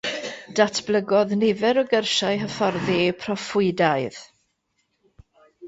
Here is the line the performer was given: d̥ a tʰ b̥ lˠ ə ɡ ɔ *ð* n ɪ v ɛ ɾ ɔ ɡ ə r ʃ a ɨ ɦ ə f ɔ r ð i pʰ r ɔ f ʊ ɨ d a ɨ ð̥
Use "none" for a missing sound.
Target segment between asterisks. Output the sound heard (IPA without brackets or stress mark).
ð